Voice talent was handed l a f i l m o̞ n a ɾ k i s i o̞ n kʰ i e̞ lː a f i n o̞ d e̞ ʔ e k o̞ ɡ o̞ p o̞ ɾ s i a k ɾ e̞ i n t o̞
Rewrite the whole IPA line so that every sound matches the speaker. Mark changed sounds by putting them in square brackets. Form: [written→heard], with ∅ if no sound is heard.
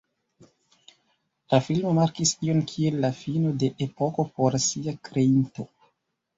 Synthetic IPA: l a f i l m o̞ [n→m] a ɾ k i s i o̞ n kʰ i e̞ lː a f i n o̞ d e̞ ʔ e [k→p] o̞ [ɡ→k] o̞ p o̞ ɾ s i a k ɾ e̞ i n t o̞